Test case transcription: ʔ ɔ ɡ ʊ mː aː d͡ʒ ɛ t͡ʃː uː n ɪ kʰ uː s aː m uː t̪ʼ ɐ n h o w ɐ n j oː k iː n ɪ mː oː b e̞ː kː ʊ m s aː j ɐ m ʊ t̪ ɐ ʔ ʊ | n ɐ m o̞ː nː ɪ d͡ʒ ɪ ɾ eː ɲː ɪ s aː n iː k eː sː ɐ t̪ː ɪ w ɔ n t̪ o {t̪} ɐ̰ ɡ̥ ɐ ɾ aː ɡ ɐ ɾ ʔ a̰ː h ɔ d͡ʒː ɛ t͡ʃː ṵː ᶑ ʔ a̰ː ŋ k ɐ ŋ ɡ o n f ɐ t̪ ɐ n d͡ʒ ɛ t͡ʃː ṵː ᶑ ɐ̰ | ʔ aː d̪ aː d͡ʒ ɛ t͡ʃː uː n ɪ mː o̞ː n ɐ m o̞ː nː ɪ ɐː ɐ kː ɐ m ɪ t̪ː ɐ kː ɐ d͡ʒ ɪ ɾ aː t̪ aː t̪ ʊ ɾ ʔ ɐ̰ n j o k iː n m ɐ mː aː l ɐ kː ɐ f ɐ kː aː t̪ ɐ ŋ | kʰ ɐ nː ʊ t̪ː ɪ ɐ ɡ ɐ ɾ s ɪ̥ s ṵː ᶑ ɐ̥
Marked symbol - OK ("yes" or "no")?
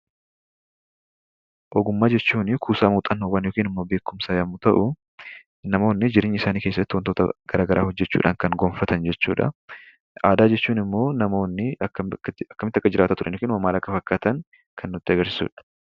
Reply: yes